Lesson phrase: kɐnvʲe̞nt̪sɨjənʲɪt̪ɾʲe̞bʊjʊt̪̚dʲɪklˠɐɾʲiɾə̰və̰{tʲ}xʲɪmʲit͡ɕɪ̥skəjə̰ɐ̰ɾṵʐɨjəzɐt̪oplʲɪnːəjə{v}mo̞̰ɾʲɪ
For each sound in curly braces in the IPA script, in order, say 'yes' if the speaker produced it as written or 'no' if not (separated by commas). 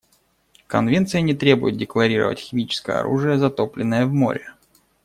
yes, yes